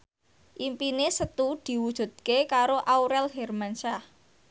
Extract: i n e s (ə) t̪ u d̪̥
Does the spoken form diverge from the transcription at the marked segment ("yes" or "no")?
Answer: no